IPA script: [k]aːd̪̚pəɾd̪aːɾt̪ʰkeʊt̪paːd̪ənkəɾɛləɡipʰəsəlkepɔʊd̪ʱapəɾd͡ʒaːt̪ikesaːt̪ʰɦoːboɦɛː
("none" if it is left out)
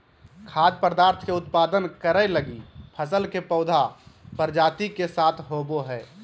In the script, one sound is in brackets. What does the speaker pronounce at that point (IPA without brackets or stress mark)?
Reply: kʰ